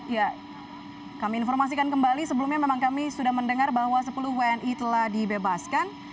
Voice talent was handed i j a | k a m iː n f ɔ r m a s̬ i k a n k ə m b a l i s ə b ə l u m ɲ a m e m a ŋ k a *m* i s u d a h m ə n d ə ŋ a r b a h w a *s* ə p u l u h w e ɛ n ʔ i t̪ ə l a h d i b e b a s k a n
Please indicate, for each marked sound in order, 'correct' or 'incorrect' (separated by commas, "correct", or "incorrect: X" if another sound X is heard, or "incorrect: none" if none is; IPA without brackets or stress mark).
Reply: correct, correct